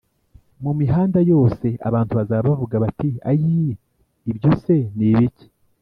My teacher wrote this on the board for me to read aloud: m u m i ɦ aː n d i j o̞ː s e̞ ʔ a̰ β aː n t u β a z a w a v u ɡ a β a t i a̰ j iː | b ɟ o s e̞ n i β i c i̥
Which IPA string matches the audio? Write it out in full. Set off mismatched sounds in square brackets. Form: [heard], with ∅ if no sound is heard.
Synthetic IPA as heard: m u m i ɦ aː n d [a] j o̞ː s e̞ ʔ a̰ β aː n t u β a z a [β] a v u ɡ a β a t i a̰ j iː | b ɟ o s e̞ n i β i c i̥